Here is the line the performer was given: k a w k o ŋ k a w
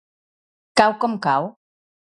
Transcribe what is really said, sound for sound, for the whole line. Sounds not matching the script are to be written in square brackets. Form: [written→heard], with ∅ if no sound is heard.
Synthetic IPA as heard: k a w k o [ŋ→m] k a w